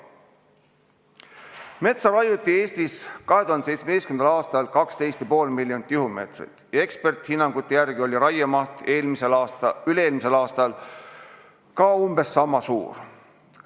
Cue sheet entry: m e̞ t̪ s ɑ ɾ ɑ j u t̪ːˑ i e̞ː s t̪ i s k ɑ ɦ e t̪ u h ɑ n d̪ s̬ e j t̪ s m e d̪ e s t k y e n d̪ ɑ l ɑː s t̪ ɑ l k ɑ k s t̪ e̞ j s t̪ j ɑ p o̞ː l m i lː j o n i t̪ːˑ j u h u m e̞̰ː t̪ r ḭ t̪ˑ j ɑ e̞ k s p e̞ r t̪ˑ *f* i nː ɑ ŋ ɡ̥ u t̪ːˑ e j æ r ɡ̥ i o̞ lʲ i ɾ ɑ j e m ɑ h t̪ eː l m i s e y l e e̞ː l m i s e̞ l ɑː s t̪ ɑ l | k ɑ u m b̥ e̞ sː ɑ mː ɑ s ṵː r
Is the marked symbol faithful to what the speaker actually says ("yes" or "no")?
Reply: no